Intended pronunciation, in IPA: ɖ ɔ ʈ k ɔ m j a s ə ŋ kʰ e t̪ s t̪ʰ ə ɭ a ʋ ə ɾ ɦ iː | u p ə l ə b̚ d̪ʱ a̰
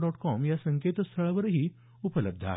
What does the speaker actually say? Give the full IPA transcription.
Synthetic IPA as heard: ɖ ɔ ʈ k ɔ m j a s ə ŋ k e t̪ s t̪ʰ ə ɭ a ʋ ə ɾ ɦ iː | u p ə l ə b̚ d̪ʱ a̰